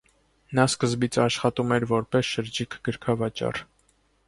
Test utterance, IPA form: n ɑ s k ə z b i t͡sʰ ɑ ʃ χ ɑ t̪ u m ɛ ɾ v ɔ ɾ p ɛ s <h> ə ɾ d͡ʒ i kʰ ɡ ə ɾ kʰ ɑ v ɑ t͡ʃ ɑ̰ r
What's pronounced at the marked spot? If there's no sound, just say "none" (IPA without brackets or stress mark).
ʃ